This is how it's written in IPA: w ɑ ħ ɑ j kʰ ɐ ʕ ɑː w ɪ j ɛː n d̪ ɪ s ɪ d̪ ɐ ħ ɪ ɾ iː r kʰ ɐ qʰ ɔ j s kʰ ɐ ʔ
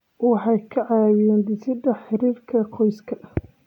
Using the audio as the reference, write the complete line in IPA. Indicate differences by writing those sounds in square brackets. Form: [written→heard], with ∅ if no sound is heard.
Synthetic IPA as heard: w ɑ ħ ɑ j kʰ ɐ ʕ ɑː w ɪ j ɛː n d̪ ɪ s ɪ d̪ ɐ ħ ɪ ɾ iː r kʰ ɐ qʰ ɔ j s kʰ ɐ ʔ

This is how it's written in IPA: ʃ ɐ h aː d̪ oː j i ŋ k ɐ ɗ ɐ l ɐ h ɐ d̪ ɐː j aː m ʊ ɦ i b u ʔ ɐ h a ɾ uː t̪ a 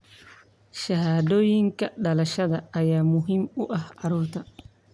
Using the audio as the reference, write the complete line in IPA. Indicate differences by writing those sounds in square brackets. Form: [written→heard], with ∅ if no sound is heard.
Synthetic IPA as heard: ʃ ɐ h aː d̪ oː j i ŋ k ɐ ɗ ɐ l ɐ [h→ʃ] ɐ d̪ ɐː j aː m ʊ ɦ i [b→m] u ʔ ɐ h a ɾ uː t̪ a

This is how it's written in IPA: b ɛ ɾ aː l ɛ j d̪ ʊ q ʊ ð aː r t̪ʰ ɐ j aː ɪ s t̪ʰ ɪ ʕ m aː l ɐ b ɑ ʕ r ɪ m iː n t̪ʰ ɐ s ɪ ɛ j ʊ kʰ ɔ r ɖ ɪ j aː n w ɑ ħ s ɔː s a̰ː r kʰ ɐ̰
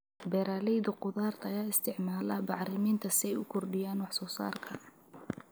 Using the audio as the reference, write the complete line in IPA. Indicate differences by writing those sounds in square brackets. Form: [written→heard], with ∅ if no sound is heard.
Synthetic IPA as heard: b ɛ ɾ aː l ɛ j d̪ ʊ q ʊ ð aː r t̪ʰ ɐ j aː ɪ s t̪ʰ ɪ ʕ m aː l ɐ b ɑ ʕ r ɪ m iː n t̪ʰ ɐ s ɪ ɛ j ʊ kʰ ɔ r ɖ ɪ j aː n w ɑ ħ s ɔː s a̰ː r kʰ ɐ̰

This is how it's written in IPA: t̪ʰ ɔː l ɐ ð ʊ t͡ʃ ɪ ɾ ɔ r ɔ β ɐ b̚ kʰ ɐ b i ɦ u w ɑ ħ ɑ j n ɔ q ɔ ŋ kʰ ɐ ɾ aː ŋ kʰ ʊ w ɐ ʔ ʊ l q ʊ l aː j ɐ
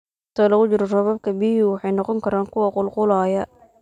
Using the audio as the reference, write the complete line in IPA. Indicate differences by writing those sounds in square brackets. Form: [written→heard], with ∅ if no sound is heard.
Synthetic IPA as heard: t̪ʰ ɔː l ɐ [ð→ɣ] ʊ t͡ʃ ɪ ɾ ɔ r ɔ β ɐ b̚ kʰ ɐ b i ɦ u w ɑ ħ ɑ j n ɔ q ɔ ŋ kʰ ɐ ɾ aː ŋ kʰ ʊ w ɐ [ʔ→q] ʊ l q ʊ l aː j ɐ

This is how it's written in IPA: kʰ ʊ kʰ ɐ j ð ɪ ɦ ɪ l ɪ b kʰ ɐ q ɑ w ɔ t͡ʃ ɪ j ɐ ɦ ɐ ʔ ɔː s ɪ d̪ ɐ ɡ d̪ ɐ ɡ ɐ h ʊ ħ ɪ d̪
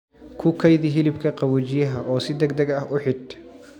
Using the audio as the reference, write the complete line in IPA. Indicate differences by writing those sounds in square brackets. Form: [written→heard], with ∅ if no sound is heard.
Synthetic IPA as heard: kʰ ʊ kʰ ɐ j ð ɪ ɦ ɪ l ɪ b kʰ ɐ q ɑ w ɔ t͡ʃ ɪ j ɐ ɦ ɐ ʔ ɔː s ɪ d̪ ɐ ɡ d̪ ɐ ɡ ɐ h ʊ ħ ɪ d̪

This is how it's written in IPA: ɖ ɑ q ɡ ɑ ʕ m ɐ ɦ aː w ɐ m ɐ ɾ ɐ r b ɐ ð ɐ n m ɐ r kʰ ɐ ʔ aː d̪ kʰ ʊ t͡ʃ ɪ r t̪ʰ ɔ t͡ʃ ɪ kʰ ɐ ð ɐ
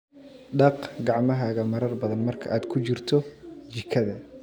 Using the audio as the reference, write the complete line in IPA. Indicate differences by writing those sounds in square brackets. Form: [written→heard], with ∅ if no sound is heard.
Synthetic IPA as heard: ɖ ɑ q ɡ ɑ ʕ m ɐ ɦ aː [w→ɣ] ɐ m ɐ ɾ ɐ r b ɐ ð ɐ n m ɐ r kʰ ɐ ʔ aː d̪ kʰ ʊ t͡ʃ ɪ r t̪ʰ ɔ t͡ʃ ɪ kʰ ɐ ð ɐ

